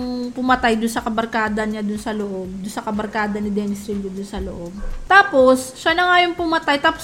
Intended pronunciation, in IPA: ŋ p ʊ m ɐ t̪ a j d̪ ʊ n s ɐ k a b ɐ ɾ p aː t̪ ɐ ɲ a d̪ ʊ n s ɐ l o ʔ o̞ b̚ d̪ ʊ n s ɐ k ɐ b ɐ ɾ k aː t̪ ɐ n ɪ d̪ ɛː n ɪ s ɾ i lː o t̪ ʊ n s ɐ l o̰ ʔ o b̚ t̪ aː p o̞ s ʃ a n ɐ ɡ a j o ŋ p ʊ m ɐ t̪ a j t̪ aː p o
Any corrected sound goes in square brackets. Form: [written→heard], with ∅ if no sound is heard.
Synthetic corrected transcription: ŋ p ʊ m ɐ t̪ a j d̪ ʊ n s ɐ k [a→ɐ] b ɐ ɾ [p→k] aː [t̪→d̪] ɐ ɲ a d̪ ʊ n s ɐ l o ʔ o̞ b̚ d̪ ʊ n s ɐ k ɐ b ɐ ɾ k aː [t̪→d̪] ɐ n ɪ d̪ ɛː n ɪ s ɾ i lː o [t̪→d̪] ʊ n s ɐ l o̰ ʔ o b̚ t̪ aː p o̞ s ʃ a n ɐ [ɡ→ŋ] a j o ŋ p ʊ m ɐ t̪ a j t̪ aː p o